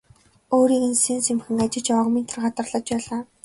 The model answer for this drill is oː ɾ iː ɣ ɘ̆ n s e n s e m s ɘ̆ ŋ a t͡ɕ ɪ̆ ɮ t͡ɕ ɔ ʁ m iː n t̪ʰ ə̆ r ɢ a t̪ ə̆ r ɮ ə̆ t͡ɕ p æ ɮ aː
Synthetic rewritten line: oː ɾ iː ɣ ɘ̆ n s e n s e m x ɘ̆ ŋ a t͡ɕ ɪ̆ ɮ t͡ɕ ɔ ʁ m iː n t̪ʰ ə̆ r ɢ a t̪ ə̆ r ɮ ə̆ t͡ɕ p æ ɮ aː